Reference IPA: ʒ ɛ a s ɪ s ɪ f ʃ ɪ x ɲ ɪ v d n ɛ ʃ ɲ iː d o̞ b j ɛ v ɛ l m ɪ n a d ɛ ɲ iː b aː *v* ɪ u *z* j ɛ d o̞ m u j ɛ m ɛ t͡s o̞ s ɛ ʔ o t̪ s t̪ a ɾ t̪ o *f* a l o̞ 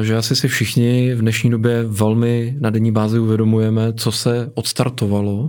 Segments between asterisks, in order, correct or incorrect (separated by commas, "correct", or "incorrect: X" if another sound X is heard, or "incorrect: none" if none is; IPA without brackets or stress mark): incorrect: z, incorrect: v, incorrect: v